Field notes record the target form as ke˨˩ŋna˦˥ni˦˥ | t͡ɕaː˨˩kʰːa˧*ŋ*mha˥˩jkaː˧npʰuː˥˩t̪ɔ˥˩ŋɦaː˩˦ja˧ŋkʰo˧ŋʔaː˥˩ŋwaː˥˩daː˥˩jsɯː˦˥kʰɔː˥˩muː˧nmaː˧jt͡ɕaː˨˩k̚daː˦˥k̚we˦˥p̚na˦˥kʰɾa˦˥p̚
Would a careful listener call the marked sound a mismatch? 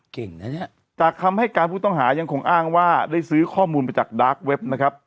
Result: yes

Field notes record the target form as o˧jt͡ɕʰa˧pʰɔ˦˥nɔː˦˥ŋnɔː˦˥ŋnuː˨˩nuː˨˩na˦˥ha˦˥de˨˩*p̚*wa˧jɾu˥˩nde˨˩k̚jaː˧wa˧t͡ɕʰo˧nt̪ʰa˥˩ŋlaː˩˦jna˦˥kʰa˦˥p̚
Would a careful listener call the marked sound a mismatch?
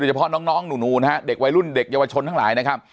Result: yes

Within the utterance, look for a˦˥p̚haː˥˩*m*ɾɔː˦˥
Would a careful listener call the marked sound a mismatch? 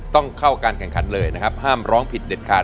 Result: no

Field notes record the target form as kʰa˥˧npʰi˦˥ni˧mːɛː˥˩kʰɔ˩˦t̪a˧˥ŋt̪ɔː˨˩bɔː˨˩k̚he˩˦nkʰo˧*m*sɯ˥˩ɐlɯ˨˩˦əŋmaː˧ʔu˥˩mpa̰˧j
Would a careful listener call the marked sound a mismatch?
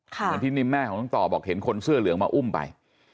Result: yes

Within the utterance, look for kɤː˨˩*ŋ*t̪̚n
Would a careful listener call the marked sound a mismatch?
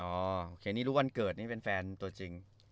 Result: yes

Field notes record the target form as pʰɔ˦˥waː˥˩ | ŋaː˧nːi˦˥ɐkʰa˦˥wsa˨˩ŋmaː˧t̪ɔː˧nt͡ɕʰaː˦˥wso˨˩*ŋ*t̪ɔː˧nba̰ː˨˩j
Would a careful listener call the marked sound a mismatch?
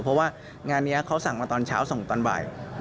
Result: no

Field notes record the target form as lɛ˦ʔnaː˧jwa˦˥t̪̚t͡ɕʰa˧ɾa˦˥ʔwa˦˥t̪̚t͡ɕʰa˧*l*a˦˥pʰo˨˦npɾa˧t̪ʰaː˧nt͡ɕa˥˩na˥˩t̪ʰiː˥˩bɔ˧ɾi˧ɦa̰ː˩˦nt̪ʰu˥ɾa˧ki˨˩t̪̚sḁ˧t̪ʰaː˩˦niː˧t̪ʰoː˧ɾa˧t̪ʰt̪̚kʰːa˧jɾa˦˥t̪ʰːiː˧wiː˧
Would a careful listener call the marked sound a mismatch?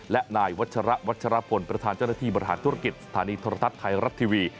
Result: yes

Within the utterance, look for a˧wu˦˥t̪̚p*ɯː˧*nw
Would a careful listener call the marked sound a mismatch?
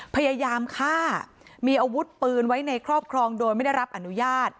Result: no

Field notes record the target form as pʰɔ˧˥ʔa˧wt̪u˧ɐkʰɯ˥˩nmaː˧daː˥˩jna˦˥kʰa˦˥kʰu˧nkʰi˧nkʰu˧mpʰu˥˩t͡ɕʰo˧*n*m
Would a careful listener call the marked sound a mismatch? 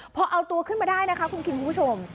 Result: yes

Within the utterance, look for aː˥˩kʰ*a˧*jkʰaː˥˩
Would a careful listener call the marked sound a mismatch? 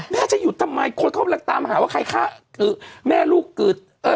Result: no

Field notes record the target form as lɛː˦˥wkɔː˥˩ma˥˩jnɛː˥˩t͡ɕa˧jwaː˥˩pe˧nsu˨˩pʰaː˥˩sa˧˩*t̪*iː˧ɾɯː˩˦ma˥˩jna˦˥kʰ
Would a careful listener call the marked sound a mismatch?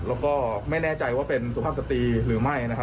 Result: no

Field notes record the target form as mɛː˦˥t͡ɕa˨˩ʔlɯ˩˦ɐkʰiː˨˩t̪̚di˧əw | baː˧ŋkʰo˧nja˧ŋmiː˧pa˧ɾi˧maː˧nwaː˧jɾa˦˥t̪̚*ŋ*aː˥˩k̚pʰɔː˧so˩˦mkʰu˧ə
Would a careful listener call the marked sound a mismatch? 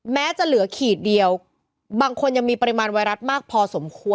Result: yes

